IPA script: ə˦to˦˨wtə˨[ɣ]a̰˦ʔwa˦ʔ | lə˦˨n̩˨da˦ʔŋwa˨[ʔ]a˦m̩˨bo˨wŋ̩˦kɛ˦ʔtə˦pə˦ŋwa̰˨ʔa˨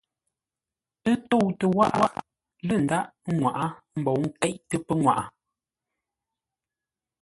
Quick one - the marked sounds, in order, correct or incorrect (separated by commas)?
incorrect, correct